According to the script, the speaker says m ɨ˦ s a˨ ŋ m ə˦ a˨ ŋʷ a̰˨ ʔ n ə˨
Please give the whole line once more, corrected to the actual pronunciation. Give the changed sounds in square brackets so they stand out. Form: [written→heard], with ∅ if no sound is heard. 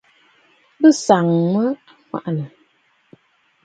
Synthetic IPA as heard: [m→b] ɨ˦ s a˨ ŋ m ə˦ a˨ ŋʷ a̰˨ ʔ n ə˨